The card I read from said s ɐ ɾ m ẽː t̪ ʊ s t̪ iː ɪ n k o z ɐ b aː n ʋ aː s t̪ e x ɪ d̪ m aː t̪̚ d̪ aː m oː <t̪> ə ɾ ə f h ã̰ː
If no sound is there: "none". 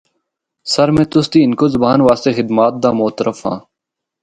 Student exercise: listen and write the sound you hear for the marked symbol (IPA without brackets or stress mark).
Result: t̪